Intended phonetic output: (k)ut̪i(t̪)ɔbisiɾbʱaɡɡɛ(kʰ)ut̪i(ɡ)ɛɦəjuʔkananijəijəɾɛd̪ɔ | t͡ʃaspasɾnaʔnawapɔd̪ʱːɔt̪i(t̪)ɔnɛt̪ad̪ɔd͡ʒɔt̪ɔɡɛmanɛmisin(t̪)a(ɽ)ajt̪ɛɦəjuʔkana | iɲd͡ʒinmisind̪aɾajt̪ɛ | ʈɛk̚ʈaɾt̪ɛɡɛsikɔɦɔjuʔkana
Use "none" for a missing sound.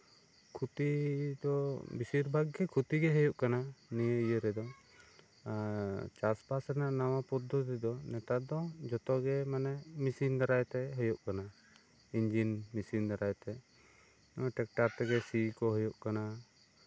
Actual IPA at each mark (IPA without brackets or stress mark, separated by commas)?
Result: kʰ, d̪, kʰ, ɡ, d̪, d̪, ɾ